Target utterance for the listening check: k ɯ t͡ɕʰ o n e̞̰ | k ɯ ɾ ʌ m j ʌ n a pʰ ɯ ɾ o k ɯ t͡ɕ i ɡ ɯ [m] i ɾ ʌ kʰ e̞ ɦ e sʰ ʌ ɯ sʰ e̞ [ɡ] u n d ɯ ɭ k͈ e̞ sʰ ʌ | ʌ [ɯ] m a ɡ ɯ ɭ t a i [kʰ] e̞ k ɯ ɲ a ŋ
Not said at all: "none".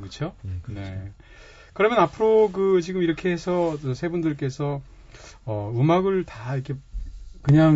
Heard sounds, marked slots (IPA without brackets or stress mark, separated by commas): m, b, ɯ, kʰ